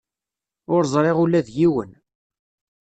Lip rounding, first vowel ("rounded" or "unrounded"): rounded